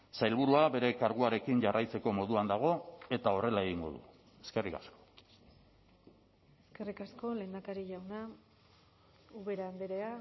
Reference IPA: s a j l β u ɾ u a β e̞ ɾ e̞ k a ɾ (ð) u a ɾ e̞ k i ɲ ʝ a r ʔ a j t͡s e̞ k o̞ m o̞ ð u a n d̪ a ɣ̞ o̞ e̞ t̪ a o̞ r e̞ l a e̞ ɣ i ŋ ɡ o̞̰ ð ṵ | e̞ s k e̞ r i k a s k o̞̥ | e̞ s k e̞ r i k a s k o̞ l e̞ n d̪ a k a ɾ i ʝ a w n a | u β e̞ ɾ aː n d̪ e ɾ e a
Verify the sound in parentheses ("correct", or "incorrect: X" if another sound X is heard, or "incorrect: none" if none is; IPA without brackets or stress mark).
incorrect: ɣ